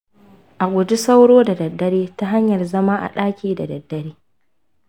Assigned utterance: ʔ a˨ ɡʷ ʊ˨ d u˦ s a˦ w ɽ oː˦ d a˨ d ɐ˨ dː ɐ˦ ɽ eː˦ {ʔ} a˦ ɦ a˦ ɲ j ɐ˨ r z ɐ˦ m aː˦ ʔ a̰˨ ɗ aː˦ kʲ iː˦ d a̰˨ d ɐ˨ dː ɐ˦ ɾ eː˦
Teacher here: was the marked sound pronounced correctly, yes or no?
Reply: no